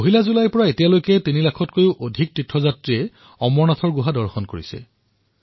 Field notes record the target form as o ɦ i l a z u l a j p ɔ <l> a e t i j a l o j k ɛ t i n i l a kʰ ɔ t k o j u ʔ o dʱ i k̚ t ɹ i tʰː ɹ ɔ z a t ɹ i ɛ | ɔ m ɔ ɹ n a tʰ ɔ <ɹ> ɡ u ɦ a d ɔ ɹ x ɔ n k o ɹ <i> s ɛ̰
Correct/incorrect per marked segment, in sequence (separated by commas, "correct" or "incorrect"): incorrect, correct, correct